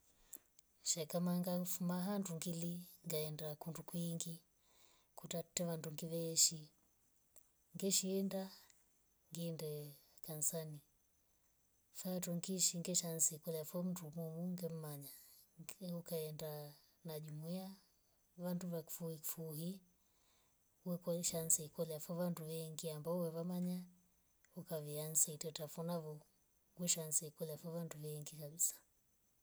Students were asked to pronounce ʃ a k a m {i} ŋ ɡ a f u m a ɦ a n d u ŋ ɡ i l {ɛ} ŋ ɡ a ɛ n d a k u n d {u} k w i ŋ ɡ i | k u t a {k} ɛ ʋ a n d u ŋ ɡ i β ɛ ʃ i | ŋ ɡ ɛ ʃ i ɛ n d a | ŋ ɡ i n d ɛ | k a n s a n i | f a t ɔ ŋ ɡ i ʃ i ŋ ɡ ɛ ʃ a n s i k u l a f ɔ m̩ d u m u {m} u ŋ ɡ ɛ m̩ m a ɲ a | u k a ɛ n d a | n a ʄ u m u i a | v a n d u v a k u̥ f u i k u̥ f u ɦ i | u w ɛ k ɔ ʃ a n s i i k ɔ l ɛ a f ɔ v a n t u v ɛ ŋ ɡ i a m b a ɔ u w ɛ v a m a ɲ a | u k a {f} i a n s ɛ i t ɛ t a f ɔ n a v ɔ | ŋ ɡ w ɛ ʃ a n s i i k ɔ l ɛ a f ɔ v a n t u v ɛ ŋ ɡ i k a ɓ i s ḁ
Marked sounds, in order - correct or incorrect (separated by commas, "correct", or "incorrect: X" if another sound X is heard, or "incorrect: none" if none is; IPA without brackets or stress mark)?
incorrect: a, incorrect: i, correct, incorrect: t, correct, incorrect: v